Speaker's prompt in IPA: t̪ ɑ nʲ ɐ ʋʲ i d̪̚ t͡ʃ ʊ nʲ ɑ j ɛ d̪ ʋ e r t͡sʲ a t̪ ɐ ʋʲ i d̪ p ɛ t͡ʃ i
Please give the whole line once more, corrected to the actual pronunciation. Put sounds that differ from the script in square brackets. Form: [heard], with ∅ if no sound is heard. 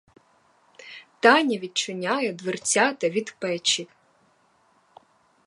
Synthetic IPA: t̪ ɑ nʲ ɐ ʋʲ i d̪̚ t͡ʃ ʊ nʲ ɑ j ɛ d̪ ʋ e r t͡sʲ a t̪ ɐ ʋʲ i d̪ p ɛ t͡ʃ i